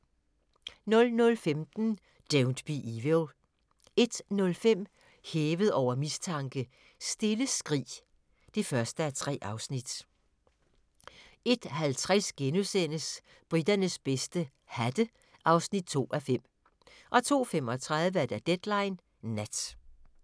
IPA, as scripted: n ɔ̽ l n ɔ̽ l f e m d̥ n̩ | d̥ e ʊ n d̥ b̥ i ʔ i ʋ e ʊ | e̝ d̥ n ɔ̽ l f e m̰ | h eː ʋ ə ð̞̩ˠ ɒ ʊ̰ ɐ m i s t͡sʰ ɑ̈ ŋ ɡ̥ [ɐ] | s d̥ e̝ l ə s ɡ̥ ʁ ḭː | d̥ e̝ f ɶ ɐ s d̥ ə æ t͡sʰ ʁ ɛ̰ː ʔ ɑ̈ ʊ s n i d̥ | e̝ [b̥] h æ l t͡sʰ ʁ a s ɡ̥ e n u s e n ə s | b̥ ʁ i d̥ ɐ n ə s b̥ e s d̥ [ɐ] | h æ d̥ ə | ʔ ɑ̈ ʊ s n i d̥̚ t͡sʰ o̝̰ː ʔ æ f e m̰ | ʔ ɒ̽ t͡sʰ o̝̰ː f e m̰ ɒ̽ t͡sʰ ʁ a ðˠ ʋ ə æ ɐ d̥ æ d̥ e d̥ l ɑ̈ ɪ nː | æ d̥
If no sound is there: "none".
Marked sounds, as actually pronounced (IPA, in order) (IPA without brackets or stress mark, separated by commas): ə, d̥, ə